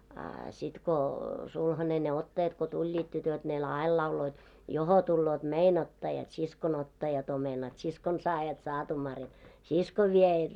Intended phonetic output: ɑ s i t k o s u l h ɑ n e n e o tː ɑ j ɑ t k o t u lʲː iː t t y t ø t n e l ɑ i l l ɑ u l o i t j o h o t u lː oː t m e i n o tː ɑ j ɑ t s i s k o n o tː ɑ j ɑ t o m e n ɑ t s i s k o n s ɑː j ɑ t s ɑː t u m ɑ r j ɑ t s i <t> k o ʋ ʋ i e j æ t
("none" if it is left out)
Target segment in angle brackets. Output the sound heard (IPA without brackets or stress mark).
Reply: s